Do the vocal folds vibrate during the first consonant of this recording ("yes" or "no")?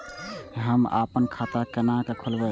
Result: yes